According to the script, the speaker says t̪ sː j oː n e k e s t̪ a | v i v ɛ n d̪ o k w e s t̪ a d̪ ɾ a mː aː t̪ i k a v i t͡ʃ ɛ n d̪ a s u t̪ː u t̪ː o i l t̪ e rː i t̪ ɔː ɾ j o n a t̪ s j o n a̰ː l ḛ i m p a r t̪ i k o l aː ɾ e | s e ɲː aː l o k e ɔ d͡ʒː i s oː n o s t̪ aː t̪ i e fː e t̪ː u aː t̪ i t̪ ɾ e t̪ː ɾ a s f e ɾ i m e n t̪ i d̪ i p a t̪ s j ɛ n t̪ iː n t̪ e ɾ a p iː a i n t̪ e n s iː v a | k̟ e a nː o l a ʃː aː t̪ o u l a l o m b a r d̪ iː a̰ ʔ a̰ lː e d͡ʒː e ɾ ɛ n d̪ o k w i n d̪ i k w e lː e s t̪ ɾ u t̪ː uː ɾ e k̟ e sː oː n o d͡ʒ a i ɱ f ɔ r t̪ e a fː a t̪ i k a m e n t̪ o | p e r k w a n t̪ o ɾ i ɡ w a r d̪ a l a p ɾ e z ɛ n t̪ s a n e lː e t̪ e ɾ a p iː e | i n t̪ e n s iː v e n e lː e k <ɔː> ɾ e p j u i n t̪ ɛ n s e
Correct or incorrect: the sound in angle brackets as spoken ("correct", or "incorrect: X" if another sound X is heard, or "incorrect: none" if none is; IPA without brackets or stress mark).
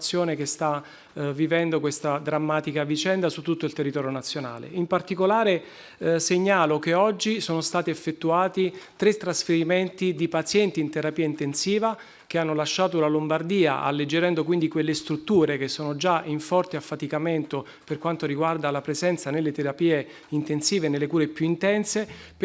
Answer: incorrect: uː